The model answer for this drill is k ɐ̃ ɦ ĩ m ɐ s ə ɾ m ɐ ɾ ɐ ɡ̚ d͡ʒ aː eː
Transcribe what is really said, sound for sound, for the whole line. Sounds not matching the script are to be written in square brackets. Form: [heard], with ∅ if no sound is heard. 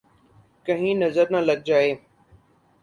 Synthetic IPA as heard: k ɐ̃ ɦ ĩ [n] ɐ [z] ə ɾ [n] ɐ [l] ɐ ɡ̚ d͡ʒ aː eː